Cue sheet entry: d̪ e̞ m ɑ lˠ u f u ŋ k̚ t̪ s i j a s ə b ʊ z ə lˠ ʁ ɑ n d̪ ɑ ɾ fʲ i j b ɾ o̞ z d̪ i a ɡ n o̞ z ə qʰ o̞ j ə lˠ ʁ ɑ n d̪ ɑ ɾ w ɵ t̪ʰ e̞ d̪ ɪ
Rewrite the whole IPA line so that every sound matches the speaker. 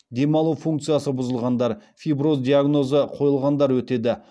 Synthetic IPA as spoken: d̪ e̞ m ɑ lˠ u f u ŋ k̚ t̪ s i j a s ə b ʊ z ə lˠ ʁ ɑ n d̪ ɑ ɾ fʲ i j b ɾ o̞ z d̪ i a ɡ n o̞ z ə qʰ o̞ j ə lˠ ʁ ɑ n d̪ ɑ ɾ w ɵ t̪ e̞ d̪ ɪ